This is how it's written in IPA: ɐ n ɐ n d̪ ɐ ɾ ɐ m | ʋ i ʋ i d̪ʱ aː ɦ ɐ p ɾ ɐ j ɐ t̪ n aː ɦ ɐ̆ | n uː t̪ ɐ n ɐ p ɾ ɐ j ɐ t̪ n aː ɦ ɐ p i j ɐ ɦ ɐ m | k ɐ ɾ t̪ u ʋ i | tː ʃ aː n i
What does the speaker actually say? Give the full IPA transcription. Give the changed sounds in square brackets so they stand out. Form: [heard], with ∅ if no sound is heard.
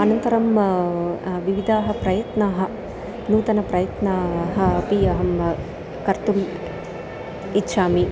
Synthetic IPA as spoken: ɐ n ɐ n [t̪] ɐ ɾ ɐ m | ʋ i ʋ i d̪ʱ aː ɦ ɐ p ɾ ɐ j ɐ t̪ n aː ɦ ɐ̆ | n uː t̪ ɐ n ɐ p ɾ ɐ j ɐ t̪ n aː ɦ ɐ p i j ɐ ɦ ɐ m | k ɐ ɾ t̪ u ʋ i | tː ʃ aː [m] i